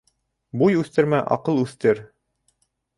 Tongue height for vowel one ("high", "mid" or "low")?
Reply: high